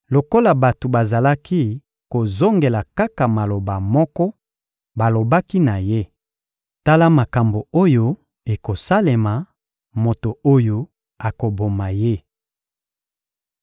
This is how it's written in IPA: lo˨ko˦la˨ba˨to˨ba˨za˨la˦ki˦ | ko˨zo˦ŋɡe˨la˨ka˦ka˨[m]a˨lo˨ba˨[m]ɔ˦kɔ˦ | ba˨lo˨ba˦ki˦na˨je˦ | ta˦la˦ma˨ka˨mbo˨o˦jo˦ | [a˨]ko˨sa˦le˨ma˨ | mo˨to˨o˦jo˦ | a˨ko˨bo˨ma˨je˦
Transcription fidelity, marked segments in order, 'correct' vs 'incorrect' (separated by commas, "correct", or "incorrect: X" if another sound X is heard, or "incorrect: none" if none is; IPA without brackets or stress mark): correct, correct, incorrect: e˨